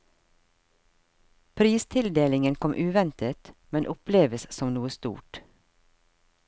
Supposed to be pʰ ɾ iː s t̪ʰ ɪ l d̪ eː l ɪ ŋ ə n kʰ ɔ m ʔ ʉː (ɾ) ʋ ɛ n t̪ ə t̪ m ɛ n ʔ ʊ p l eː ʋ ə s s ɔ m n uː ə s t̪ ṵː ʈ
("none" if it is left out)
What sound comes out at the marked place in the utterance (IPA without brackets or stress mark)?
none